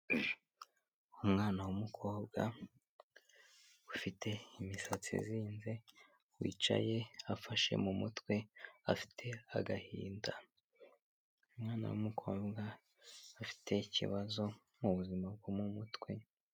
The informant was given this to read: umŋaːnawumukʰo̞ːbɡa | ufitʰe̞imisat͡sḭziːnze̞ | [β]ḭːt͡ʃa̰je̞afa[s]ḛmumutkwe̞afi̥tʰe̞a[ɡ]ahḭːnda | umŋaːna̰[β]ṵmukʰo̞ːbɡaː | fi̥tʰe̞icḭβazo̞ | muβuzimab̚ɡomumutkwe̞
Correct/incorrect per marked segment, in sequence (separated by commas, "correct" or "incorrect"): incorrect, incorrect, correct, incorrect